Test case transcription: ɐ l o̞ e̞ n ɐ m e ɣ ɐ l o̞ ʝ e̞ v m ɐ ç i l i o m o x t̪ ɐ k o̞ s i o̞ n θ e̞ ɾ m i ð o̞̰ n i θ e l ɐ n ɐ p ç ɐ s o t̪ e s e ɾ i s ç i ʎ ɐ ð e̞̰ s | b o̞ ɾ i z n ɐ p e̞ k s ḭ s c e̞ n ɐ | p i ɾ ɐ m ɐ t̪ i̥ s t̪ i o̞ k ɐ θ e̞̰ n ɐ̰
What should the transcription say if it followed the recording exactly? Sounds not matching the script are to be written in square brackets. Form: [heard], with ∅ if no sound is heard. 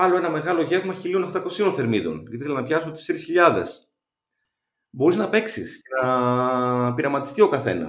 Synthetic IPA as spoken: ɐ l o̞ e̞ n ɐ m e ɣ ɐ l o̞ ʝ e̞ v m ɐ ç i l i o [n] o x t̪ ɐ k o̞ s i o̞ n θ e̞ ɾ m i ð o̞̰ n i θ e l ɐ n ɐ p ç ɐ s o t̪ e s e ɾ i s ç i ʎ ɐ ð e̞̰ s | b o̞ ɾ i z n ɐ p e̞ k s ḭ s c e̞ n ɐ | p i ɾ ɐ m ɐ t̪ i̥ s t̪ i o̞ k ɐ θ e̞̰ n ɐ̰